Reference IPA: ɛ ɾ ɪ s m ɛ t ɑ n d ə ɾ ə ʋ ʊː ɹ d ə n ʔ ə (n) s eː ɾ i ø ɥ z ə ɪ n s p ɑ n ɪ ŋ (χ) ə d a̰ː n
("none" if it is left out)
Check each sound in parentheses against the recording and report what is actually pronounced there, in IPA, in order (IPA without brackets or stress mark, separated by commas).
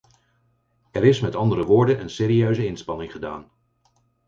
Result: n, χ